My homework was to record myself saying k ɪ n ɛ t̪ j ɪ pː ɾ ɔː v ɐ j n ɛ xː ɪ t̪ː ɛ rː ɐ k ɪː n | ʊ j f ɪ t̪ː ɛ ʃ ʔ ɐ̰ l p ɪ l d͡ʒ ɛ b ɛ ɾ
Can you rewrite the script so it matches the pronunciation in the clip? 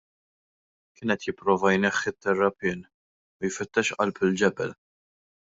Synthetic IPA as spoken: k ɪː n ɛ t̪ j ɪ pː ɾ ɔː v ɐ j n ɛ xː ɪ t̪ː ɛ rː ɐ p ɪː n | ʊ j f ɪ t̪ː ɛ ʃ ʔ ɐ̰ l p ɪ l d͡ʒ ɛ b ɛ l